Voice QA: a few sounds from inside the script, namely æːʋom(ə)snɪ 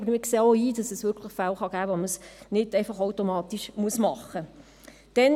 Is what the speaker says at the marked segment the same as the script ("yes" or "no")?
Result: yes